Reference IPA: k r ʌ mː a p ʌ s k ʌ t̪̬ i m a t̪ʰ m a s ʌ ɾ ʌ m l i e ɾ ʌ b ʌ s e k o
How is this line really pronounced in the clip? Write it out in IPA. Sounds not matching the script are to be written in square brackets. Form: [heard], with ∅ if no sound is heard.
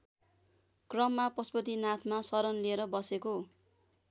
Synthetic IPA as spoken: k r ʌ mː a p ʌ s [p] ʌ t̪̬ i [n] a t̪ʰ m a s ʌ ɾ ʌ [n] l i e ɾ ʌ b ʌ s e k o